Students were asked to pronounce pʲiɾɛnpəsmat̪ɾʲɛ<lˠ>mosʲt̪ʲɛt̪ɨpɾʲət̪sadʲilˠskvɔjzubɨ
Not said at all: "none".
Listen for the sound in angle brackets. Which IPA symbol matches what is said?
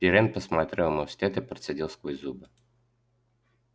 lˠ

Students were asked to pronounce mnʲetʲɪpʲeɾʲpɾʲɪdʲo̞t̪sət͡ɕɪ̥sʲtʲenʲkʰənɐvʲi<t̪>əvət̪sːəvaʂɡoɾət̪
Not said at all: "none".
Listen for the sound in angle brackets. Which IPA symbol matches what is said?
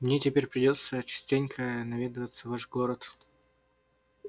d̪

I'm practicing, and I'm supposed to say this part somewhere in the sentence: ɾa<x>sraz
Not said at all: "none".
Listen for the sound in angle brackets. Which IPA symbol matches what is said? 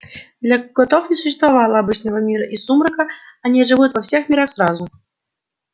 x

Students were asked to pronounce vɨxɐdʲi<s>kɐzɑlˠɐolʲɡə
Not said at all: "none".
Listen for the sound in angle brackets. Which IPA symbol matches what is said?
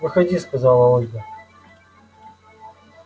s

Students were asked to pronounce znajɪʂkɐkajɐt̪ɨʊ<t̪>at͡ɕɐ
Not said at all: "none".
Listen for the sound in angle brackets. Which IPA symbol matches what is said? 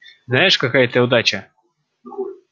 d̪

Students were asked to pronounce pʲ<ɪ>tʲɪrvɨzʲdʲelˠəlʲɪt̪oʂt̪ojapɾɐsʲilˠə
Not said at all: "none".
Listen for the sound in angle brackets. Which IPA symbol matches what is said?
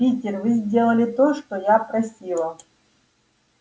i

